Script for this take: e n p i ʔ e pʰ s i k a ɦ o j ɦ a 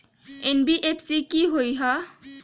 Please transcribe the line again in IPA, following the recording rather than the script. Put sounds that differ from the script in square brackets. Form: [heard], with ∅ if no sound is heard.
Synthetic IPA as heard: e n [b] i ʔ e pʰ s i k [i] ɦ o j ɦ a